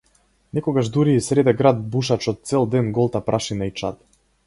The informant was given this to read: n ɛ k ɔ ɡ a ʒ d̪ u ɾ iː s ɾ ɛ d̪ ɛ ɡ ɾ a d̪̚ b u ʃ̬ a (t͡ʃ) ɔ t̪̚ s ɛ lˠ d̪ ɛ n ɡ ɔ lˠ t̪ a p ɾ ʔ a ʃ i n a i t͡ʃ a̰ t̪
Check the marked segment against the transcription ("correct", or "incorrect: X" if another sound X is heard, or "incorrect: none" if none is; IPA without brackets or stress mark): correct